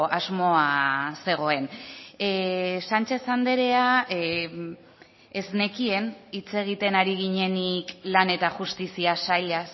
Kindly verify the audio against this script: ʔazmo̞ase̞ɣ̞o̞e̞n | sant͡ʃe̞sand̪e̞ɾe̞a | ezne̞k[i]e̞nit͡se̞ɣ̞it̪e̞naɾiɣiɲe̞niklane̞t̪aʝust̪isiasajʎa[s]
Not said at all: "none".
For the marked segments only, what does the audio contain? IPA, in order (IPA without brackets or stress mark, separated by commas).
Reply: i, s